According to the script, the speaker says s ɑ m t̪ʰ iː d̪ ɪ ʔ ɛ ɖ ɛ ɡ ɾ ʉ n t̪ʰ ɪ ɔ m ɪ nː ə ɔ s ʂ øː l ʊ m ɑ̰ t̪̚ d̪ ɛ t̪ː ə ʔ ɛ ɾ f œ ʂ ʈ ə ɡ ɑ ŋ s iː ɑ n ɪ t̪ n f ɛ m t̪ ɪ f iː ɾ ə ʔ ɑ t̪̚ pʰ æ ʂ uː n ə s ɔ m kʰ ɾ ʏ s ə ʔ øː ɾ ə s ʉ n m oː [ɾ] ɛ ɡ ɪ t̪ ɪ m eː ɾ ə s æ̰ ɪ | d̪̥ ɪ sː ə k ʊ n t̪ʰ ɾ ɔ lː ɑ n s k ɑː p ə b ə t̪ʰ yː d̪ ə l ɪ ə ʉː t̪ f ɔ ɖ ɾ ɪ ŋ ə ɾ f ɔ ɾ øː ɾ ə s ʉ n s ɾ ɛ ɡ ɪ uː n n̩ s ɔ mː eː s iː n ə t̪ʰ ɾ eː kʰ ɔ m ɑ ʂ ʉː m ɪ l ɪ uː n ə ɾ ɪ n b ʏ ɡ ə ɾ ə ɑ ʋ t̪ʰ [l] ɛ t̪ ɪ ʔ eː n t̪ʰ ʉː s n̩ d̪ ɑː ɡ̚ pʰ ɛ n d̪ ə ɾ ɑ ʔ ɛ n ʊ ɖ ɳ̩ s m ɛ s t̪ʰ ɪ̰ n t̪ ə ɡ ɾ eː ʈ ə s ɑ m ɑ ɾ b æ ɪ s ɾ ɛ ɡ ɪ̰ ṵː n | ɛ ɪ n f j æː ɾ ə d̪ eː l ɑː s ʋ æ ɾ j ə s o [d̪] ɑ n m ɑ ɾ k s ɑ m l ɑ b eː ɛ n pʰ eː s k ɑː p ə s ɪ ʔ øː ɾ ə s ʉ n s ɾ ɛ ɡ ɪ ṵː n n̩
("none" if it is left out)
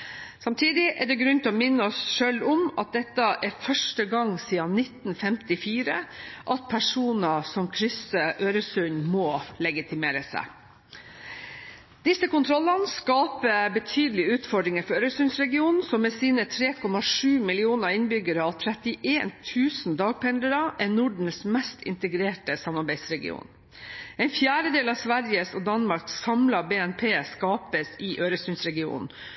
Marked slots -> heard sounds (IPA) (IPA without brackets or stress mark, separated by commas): l, ɾ, d̪